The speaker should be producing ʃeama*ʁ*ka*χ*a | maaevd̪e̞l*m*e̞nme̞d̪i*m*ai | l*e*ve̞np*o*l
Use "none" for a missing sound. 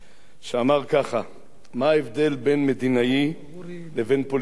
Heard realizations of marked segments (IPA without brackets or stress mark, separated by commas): ʁ, χ, b, n, e, o